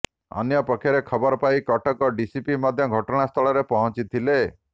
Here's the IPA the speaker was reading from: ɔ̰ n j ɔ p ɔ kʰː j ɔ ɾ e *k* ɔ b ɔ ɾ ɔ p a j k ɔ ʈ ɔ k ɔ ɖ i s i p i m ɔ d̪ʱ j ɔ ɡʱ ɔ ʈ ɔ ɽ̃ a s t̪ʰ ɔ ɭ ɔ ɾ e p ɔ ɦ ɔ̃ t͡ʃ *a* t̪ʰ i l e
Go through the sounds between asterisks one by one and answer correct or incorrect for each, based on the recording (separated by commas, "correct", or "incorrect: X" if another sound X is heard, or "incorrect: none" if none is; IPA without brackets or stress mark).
incorrect: kʰ, incorrect: i